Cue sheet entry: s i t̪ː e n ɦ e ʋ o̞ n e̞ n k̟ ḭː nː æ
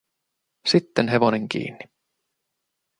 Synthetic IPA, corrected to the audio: s i t̪ː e n ɦ e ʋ o̞ n e̞ ŋ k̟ ḭː nː i